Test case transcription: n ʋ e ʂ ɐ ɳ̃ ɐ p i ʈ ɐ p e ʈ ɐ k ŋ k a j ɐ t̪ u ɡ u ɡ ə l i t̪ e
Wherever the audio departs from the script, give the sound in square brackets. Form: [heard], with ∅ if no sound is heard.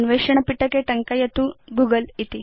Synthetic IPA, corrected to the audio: n ʋ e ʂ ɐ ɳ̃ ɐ p i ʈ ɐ [k] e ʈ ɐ [∅] ŋ k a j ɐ t̪ u ɡ u ɡ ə l i t̪ [i]